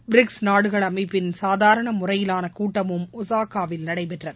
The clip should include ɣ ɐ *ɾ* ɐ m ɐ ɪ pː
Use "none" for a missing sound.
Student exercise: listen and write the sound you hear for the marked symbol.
ɭ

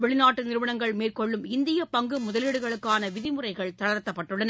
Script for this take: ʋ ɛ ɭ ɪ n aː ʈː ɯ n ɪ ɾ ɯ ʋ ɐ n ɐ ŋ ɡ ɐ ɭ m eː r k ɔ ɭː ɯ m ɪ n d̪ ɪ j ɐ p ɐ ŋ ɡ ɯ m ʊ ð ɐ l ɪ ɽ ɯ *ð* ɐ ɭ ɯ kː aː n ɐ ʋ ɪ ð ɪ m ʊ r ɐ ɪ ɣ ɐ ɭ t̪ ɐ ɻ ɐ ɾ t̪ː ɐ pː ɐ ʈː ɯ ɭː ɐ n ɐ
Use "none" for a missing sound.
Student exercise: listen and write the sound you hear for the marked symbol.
ɣ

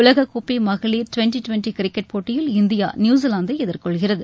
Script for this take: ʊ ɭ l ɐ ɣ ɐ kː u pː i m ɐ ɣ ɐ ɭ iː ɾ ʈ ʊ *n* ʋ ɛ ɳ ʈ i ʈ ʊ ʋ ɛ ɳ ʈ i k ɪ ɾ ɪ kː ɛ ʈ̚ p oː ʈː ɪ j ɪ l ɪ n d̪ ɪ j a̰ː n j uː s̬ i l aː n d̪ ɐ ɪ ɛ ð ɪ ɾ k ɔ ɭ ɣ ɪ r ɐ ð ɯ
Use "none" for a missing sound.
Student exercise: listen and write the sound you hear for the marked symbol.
none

